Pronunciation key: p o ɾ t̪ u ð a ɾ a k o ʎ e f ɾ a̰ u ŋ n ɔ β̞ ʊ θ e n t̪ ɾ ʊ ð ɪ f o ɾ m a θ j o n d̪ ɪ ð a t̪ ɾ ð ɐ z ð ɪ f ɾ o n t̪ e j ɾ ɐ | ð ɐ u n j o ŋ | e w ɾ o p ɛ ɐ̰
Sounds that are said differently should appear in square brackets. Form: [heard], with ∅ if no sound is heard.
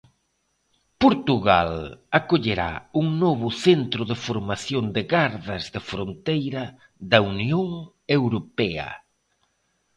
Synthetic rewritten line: p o ɾ t̪ u [ɣ] a [l] a k o ʎ e [∅] ɾ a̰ u ŋ n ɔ β̞ ʊ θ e n t̪ ɾ ʊ ð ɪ f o ɾ m a θ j o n d̪ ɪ [ɣ] a [∅] ɾ ð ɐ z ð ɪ f ɾ o n t̪ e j ɾ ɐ | ð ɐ u n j o ŋ | e w ɾ o p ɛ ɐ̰